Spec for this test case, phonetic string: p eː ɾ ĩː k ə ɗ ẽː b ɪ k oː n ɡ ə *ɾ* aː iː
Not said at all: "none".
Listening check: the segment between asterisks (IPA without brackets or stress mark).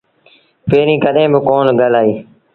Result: l